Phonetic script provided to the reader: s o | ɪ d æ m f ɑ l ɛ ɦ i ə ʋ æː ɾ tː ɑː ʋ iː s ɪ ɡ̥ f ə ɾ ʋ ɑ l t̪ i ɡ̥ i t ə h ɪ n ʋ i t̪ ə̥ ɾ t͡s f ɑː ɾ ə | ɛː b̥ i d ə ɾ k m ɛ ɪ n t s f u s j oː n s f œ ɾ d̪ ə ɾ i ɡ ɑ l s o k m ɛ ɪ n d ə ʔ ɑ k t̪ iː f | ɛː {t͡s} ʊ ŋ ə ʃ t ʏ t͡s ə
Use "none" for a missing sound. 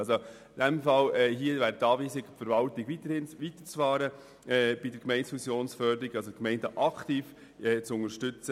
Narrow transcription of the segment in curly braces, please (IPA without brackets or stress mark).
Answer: t͡s